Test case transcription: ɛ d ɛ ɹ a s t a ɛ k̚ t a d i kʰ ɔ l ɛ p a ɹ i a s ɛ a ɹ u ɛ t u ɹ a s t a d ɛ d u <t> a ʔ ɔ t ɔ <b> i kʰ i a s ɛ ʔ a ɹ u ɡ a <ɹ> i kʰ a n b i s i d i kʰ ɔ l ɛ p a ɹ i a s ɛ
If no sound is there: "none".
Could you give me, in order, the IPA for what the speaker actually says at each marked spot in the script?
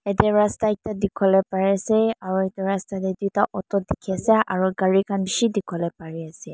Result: t, d, ɹ

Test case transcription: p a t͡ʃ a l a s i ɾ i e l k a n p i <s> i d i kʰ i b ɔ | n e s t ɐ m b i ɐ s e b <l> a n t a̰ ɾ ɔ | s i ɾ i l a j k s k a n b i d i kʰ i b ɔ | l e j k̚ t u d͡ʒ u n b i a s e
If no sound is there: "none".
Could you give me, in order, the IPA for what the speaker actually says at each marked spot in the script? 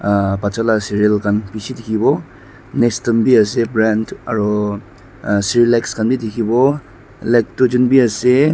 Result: s, ɾ

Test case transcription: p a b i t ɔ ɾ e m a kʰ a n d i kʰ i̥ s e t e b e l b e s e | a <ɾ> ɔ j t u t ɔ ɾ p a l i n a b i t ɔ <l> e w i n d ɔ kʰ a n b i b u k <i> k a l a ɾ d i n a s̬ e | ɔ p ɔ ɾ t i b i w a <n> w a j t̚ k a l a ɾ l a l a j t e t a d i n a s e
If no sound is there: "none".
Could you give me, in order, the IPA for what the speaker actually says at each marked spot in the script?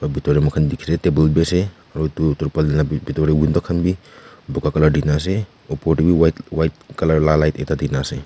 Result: ɾ, ɾ, a, none

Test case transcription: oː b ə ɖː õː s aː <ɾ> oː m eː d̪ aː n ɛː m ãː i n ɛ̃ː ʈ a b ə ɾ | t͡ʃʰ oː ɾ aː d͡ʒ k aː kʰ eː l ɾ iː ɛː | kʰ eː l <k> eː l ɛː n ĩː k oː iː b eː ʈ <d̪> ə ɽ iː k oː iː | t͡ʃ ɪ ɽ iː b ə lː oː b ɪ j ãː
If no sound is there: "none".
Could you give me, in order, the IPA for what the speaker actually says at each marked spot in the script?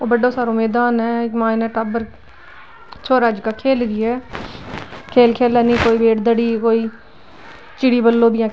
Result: ɾ, kʰ, d̪

